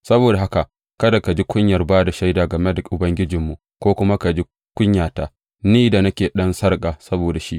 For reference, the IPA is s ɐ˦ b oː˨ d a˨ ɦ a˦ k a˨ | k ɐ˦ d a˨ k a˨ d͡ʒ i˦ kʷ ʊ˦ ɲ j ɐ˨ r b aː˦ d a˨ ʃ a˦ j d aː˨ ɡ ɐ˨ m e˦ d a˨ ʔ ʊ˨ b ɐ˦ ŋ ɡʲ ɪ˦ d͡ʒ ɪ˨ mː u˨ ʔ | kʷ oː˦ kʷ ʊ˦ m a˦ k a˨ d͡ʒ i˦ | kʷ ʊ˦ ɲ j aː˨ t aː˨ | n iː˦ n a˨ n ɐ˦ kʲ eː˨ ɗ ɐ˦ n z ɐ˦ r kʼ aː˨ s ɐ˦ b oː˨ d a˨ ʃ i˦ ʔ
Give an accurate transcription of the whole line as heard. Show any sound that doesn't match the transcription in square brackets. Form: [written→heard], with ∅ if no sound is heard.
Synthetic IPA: s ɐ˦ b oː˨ d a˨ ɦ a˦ k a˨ | k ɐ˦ d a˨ k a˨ d͡ʒ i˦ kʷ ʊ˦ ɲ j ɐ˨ r b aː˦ d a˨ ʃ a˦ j d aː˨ ɡ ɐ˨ m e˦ d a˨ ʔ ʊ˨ b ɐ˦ ŋ ɡʲ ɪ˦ d͡ʒ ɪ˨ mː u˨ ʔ | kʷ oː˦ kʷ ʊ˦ m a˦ k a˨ d͡ʒ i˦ | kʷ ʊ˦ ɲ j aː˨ t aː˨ | n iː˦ [n→d] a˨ n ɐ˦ kʲ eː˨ ɗ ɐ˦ n [z→s] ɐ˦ r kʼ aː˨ s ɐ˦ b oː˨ d a˨ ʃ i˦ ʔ